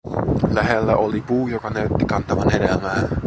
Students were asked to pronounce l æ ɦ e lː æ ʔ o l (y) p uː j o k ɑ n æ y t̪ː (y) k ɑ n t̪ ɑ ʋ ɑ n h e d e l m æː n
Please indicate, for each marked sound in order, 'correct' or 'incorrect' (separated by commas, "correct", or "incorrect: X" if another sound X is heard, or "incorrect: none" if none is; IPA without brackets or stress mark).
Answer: incorrect: i, incorrect: i